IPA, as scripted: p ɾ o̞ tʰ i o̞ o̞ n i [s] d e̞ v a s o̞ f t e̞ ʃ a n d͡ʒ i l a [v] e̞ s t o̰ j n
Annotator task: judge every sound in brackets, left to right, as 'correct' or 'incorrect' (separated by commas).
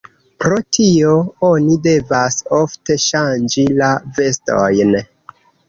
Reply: incorrect, correct